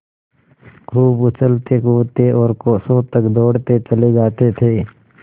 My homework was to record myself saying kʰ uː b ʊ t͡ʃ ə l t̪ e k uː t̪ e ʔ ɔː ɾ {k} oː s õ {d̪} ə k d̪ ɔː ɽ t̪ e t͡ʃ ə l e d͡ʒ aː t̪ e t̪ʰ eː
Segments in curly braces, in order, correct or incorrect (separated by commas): correct, incorrect